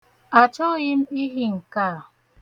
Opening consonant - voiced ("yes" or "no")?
no